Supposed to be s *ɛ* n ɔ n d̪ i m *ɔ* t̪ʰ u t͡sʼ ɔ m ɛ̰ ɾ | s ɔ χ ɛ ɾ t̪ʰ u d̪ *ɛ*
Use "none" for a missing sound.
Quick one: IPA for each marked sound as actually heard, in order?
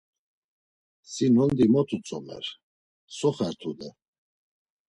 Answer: i, ɔ, ɛ

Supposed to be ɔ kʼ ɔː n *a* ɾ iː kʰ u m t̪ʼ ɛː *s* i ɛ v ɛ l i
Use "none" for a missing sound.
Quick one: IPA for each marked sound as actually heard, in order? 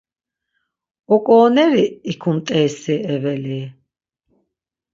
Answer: ɛ, s

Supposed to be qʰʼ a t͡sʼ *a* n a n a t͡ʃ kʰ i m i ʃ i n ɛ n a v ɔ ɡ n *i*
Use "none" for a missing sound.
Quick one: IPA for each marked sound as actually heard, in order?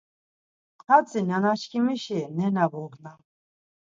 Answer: i, a

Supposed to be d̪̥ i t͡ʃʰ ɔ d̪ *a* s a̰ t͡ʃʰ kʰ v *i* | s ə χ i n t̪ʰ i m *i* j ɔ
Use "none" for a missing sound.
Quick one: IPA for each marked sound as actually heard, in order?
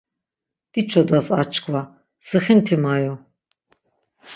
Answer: a, a, a

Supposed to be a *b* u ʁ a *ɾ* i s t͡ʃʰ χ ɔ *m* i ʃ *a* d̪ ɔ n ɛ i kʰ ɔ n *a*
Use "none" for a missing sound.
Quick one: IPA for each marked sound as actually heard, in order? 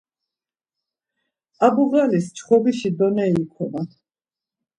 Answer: b, l, b, i, a

